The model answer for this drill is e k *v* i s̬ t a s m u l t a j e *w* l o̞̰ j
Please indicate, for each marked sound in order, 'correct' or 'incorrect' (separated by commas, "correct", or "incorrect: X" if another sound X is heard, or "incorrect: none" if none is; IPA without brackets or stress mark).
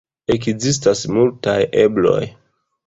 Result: incorrect: z, incorrect: b